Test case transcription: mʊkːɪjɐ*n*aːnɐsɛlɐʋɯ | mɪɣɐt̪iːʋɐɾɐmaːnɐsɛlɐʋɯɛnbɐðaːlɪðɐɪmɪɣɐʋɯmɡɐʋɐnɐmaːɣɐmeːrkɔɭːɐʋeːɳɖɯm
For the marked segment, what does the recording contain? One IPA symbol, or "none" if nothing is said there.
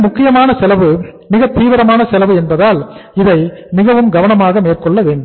m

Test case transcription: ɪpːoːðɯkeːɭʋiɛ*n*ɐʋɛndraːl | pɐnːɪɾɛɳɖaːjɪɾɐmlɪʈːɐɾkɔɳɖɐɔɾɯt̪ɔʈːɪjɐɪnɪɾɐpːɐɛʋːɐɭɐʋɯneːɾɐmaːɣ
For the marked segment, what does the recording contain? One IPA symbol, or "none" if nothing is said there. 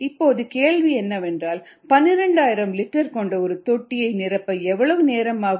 nː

